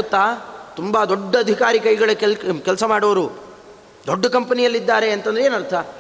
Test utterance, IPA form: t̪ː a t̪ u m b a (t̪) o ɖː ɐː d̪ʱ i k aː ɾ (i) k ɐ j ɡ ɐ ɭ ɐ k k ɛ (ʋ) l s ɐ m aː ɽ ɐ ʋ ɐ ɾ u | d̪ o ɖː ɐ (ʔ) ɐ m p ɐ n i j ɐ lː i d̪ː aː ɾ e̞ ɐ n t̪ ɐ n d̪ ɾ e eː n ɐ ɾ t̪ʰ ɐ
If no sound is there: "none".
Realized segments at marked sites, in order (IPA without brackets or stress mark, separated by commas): d̪, i, none, k